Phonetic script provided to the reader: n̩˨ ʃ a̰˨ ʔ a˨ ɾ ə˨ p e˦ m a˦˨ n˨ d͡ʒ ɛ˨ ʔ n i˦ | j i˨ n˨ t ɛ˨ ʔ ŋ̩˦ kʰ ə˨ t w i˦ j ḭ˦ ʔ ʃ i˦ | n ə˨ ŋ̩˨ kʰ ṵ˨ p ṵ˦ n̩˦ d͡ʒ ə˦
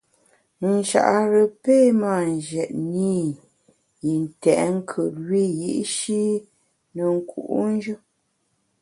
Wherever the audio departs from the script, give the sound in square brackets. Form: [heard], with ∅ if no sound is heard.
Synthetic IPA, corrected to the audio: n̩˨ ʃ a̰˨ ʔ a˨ ɾ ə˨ p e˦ m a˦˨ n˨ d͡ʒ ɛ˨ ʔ n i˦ | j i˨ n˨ t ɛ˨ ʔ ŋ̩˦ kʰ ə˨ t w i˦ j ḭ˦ ʔ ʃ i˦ | n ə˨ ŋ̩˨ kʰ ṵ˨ [ʔ] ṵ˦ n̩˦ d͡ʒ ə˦